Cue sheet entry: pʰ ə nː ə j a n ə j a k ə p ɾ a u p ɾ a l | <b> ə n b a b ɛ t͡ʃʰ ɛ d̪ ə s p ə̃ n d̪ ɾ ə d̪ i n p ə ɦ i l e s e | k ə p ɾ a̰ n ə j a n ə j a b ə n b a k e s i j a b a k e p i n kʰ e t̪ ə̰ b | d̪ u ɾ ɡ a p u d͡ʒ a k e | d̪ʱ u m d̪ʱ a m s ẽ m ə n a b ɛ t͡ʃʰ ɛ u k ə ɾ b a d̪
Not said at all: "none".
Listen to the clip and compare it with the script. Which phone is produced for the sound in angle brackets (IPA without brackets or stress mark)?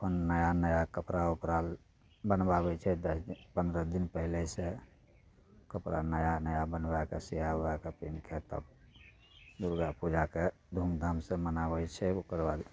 b